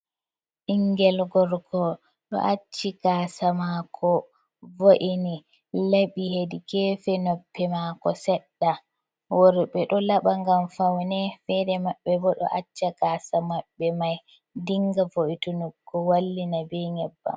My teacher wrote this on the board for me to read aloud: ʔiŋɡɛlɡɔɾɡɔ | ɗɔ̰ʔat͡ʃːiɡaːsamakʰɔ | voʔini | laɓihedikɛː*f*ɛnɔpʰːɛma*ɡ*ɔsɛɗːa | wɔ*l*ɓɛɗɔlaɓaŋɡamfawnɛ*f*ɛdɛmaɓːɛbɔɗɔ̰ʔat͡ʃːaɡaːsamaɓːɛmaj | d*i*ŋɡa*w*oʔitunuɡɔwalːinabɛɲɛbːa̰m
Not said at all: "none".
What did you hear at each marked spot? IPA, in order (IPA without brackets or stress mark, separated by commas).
f, k, ɾ, f, i, v